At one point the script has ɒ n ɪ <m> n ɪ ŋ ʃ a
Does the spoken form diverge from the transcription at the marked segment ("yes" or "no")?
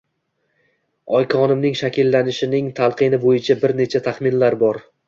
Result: no